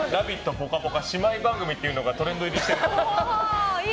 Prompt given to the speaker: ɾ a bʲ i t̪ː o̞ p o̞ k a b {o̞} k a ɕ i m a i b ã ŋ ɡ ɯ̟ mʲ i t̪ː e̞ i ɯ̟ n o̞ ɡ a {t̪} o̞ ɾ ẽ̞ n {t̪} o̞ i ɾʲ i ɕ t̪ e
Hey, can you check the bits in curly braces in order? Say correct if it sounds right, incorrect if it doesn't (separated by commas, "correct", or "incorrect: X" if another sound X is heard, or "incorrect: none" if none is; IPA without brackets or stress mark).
correct, correct, incorrect: d̪